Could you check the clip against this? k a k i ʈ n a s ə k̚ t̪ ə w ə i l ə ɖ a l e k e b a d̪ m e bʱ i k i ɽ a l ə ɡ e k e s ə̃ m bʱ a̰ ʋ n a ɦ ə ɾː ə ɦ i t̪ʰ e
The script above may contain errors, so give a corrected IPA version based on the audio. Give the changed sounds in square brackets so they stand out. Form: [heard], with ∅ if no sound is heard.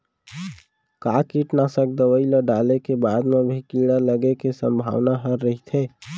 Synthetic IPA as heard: k a k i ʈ n a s ə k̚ [d̪] ə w ə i l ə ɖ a l e k e b a d̪ m e bʱ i k i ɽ a l ə ɡ e k e s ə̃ m bʱ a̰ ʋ n a ɦ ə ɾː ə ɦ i t̪ʰ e